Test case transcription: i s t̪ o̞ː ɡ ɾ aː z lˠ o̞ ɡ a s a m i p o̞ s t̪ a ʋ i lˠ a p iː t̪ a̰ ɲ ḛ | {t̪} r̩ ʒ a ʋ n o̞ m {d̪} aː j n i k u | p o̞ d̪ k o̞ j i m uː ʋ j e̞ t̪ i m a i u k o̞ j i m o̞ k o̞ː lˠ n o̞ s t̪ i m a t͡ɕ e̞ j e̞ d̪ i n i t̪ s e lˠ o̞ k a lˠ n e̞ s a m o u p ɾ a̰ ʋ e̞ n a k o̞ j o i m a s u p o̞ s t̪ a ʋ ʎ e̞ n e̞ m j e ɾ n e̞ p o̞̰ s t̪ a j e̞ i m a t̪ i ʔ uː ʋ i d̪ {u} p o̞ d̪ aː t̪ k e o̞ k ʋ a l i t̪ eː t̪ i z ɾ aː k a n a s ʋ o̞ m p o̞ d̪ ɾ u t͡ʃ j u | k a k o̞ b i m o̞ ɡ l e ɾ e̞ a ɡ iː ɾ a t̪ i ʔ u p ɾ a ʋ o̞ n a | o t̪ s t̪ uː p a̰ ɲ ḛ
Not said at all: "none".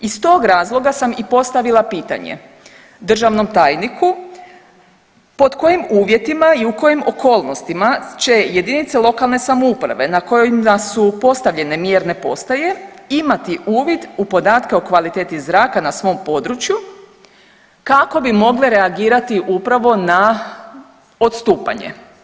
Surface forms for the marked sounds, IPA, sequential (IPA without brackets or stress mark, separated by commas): d̪, t̪, u